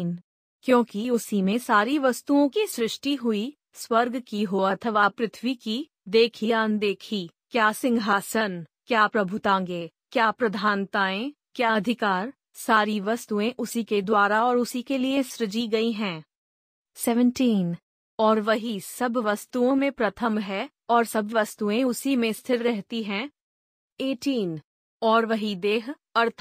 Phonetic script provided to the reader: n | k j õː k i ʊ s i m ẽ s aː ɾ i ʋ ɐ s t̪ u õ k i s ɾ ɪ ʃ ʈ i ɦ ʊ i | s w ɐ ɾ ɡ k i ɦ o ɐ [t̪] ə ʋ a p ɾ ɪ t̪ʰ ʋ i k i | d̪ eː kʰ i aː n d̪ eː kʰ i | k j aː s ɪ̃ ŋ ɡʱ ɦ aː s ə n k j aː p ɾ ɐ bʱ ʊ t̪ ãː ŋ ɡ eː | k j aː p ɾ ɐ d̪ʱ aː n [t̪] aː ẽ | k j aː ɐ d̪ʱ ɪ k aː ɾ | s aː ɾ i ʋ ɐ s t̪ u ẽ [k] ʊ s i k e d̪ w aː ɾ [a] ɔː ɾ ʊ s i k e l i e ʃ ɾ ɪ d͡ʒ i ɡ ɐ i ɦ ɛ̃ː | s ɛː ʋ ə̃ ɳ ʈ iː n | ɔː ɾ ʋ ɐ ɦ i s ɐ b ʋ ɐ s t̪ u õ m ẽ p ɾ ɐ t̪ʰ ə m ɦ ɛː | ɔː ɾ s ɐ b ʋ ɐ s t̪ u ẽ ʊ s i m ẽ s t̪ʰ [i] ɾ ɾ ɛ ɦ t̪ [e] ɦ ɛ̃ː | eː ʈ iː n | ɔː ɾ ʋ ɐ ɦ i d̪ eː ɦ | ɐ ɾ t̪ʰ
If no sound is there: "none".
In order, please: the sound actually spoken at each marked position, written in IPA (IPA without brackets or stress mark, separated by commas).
t̪ʰ, t̪, ʔ, a, ɪ, i